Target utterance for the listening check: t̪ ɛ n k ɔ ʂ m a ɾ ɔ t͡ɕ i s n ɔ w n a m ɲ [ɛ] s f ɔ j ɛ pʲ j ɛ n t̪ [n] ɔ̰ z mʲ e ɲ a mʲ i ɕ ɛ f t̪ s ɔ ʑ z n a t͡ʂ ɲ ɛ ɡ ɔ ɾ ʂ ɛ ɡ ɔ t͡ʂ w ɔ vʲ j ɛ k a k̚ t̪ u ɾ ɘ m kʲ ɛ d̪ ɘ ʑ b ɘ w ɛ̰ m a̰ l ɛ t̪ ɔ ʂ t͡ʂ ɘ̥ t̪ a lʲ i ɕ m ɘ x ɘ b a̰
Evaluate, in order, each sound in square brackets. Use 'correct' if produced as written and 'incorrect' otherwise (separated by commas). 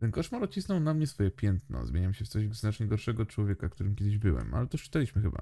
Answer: correct, correct